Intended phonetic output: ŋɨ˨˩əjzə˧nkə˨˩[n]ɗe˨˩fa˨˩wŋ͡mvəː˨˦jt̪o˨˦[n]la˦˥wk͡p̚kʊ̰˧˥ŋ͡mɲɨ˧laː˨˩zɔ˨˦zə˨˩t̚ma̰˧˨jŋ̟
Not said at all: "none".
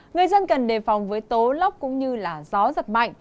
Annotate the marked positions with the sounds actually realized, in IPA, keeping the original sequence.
n, none

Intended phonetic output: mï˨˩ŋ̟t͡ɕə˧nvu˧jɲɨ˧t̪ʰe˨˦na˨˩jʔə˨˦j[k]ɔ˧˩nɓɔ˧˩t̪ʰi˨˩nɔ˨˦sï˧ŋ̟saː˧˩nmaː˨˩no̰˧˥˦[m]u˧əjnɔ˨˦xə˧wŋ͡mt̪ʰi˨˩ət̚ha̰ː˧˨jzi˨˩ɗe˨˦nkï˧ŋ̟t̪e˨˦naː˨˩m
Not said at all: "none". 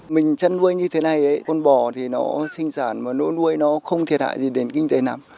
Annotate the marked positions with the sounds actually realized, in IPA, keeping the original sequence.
k, n

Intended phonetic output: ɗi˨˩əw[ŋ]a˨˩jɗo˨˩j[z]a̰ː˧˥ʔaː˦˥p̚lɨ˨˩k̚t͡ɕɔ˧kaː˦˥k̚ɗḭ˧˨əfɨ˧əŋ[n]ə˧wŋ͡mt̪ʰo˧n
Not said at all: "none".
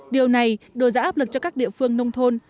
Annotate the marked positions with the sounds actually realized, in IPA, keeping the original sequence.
n, z, n

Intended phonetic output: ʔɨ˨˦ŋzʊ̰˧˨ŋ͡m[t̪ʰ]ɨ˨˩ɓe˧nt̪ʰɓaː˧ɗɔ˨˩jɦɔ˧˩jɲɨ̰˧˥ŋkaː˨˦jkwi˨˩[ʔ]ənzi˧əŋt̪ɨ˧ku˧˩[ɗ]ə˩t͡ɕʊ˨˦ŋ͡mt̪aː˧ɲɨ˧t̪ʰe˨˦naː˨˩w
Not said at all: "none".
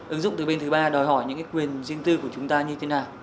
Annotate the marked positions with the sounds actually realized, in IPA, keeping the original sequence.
t̪, none, none

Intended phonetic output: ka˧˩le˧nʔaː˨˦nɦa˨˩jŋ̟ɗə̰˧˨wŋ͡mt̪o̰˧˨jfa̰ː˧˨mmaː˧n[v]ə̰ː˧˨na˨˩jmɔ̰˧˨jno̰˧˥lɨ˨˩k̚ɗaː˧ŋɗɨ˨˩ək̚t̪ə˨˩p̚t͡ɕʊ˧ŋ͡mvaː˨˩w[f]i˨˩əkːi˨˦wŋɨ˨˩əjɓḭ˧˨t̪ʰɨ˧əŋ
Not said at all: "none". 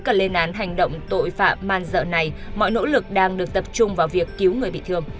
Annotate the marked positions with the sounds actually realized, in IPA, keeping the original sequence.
z, v

